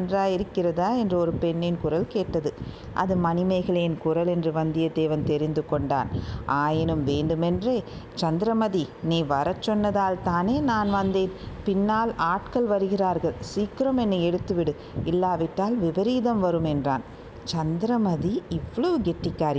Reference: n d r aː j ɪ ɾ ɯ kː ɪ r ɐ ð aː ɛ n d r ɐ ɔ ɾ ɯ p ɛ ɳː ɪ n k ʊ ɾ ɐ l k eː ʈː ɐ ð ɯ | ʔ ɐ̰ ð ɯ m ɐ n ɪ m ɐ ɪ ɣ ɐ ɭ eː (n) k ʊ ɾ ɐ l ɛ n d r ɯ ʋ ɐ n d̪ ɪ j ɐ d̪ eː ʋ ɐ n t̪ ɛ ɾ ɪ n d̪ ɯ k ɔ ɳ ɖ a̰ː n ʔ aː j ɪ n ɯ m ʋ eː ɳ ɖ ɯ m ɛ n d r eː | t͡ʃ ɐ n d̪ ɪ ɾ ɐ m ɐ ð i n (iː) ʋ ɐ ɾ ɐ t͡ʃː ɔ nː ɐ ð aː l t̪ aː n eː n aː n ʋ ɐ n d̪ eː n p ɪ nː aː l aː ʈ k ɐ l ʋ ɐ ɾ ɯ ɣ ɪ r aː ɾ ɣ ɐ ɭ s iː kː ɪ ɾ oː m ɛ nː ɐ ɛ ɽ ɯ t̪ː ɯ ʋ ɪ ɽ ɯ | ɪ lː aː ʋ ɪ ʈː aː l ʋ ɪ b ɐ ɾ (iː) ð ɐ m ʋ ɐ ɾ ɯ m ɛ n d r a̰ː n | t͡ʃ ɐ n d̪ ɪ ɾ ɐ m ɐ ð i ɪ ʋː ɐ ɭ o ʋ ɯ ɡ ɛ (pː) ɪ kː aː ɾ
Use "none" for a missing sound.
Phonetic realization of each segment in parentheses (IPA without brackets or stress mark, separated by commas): n, iː, iː, ʈː